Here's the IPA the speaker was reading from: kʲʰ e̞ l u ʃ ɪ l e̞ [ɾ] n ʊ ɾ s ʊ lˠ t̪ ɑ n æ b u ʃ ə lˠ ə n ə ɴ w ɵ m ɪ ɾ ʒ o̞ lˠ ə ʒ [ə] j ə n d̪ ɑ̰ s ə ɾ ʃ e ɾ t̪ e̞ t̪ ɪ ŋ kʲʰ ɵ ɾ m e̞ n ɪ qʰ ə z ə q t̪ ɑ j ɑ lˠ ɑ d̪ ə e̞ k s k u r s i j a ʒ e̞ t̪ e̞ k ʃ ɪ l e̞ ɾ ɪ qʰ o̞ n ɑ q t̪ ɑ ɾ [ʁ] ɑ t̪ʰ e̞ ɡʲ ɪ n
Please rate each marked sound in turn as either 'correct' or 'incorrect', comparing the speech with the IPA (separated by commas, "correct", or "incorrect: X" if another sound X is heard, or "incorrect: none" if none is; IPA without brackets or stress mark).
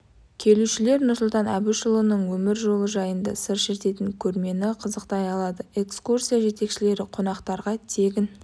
correct, incorrect: ɑ, correct